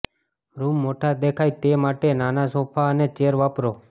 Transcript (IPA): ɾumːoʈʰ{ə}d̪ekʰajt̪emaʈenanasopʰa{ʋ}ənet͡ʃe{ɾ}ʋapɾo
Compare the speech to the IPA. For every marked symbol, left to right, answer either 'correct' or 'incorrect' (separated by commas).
incorrect, incorrect, correct